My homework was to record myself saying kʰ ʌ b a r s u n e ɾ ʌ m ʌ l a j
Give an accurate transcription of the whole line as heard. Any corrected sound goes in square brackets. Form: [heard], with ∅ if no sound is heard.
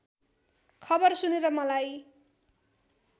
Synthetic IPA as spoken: kʰ ʌ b [ʌ] r s u n e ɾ ʌ m ʌ l a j